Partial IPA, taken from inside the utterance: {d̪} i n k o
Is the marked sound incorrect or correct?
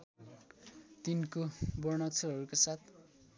incorrect: t̪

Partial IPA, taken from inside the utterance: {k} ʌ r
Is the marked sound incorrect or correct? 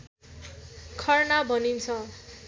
incorrect: kʰ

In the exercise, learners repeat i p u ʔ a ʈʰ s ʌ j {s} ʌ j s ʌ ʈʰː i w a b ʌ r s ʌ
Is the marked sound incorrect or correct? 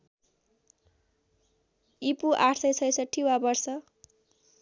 correct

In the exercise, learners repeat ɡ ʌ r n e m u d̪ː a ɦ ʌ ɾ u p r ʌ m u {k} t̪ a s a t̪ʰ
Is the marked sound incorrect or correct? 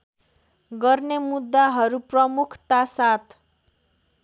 incorrect: kʰ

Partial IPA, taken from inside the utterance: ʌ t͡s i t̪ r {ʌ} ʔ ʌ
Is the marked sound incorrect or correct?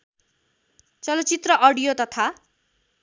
correct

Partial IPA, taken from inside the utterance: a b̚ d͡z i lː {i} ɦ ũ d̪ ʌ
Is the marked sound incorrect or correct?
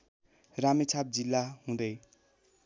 incorrect: a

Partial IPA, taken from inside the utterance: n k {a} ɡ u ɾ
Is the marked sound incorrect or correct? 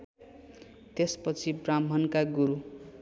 correct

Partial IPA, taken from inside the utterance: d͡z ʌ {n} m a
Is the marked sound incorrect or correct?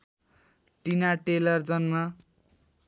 correct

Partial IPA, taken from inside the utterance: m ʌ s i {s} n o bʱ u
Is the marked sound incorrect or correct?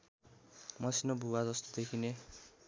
incorrect: none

